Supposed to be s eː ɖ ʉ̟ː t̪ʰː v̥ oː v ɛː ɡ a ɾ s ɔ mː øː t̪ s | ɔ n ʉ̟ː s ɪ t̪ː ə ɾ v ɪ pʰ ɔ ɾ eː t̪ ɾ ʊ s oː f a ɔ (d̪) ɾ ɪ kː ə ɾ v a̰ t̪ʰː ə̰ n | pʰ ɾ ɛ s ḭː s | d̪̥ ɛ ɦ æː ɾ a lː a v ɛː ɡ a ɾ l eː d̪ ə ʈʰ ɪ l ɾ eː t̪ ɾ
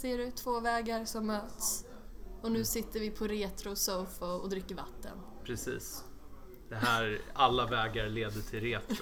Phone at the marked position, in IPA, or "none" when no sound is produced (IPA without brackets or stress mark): d̪